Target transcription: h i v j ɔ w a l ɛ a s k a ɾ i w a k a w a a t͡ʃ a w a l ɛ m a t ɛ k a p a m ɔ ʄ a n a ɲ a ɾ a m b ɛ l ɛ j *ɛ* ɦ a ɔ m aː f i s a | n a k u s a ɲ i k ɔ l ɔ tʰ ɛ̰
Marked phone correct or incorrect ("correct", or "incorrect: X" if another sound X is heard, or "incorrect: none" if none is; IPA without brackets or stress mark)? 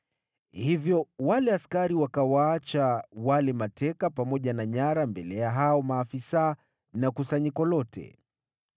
incorrect: a